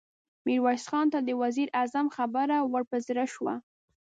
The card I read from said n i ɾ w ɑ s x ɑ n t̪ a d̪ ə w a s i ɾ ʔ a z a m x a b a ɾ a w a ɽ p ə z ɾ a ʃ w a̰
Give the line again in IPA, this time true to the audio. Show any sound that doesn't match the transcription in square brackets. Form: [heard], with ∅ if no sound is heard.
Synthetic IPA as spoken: [m] i ɾ w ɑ s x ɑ n t̪ a d̪ ə w a [z] i ɾ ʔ a z a m x a b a ɾ a w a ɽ p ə z ɾ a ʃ w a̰

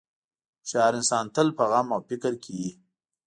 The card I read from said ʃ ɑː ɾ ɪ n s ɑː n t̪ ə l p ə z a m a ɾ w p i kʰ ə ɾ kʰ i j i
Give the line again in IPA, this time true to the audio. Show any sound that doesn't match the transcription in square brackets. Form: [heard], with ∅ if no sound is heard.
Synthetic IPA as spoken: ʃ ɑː ɾ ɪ n s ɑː n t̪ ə l p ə [ɣ] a m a [∅] w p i [k] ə ɾ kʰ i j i

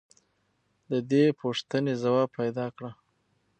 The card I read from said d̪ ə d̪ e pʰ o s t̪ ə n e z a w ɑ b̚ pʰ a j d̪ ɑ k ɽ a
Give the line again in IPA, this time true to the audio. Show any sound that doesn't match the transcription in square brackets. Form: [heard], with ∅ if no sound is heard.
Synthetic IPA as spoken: d̪ ə d̪ e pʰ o [ʂ] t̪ ə n e z a w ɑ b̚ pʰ a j d̪ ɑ k ɽ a

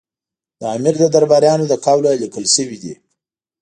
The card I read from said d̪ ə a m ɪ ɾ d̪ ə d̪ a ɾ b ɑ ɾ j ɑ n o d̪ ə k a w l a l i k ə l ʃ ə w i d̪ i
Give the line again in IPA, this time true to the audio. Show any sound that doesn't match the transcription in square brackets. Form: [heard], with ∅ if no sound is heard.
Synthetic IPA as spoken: d̪ ə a m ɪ ɾ d̪ ə d̪ a ɾ b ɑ ɾ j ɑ n o d̪ ə k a w l a l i k ə l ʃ ə w i d̪ i

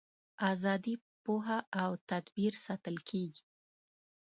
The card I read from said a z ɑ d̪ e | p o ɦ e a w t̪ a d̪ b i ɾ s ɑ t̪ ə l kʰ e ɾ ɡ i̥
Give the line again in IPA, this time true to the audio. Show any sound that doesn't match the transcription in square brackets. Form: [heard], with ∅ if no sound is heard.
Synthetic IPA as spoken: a z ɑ d̪ [i] | p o ɦ [a] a w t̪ a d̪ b i ɾ s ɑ t̪ ə l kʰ e [∅] ɡ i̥

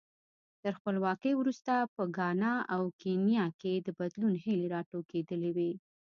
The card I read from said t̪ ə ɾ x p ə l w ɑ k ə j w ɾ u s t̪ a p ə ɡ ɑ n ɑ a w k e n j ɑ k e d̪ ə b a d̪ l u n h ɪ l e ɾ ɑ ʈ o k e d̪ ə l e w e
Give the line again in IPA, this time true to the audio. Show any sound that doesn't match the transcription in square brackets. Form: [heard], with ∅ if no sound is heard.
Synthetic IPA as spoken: t̪ ə ɾ x p ə l w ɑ k ə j w ɾ u s t̪ a p ə ɡ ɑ n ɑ a w k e n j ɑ k e d̪ ə b a d̪ l u n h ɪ l e ɾ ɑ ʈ o k e d̪ ə l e w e

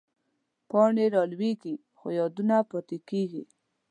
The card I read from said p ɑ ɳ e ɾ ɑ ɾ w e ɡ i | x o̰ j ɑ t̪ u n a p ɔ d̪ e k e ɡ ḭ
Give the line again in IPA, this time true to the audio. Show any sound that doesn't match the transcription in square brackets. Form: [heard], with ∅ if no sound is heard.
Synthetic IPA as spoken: p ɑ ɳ e ɾ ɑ [l] w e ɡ i | x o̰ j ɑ [d̪] u n a p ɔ [t̪] e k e ɡ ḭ

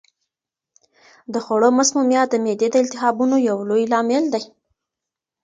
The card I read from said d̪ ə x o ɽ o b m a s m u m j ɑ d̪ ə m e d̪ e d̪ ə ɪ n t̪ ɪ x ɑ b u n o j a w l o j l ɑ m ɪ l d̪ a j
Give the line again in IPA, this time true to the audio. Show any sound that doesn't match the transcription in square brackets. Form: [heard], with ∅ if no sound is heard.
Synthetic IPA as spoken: d̪ ə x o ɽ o [∅] m a s m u m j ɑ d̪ ə m e d̪ e d̪ ə ɪ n t̪ ɪ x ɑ b u n o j a w l o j l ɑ m ɪ l d̪ a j

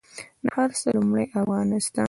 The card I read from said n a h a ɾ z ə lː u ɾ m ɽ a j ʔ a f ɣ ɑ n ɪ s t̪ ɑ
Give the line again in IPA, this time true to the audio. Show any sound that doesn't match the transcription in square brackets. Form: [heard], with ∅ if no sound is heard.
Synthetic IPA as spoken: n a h a ɾ [s] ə [l] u [∅] m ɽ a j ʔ a f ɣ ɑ n ɪ s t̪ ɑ

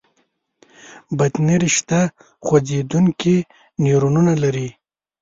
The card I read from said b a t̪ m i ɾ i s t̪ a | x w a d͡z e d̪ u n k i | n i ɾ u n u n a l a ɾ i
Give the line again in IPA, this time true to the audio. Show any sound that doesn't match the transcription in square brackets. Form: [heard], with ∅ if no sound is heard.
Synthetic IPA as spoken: b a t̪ [n] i ɾ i [ʃ] t̪ a | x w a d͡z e d̪ u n k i | n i ɾ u n u n a l a ɾ i

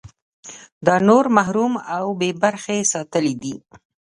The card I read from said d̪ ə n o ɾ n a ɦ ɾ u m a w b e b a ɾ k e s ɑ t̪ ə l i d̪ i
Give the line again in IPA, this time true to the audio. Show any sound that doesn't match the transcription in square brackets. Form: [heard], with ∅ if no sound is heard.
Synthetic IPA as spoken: d̪ [ɑ] n o ɾ [m] a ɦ ɾ u m a w b e b a ɾ [x] e s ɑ t̪ ə l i d̪ i

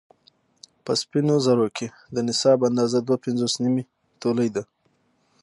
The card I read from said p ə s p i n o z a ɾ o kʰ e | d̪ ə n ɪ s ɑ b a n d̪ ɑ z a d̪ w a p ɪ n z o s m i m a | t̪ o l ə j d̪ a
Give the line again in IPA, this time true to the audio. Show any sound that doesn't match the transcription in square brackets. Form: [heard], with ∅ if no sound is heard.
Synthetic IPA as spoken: p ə s p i n o z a ɾ o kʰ e | d̪ ə n ɪ s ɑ b a n d̪ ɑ z a d̪ w a p ɪ n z o s [n] i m [i] | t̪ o l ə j d̪ a

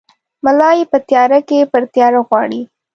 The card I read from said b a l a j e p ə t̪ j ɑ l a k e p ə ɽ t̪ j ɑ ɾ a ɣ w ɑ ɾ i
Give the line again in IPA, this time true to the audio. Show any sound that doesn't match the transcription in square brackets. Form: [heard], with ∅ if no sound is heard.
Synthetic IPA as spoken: [m] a l [ɑ] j e p ə t̪ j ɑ [ɾ] a k e p ə [ɾ] t̪ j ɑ ɾ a ɣ w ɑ [ɽ] i

